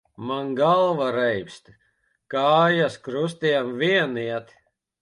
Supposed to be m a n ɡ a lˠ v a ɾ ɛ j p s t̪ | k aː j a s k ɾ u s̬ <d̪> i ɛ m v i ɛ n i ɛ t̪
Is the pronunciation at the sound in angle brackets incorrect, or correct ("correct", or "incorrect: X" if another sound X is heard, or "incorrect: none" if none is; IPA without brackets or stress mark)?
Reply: incorrect: t̪